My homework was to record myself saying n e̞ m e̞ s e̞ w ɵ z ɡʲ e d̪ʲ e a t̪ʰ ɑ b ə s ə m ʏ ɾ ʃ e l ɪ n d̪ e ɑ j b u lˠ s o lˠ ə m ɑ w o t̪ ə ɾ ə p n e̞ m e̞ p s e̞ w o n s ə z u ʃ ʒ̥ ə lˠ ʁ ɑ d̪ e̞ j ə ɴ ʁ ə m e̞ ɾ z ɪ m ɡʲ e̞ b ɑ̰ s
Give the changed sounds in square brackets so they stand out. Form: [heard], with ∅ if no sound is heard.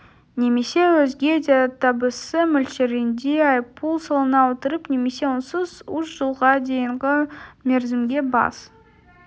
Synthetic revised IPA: n e̞ m e̞ s e̞ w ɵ z ɡʲ e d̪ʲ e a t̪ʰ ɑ b ə s ə m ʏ [l] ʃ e [ɾ] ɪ n d̪ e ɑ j [p] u lˠ s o lˠ ə [n] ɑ w o t̪ ə ɾ ə p n e̞ m e̞ [∅] s e̞ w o n s ə z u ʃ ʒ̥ ə lˠ ʁ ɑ d̪ e̞ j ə ɴ ʁ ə m e̞ ɾ z ɪ m ɡʲ e̞ b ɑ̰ s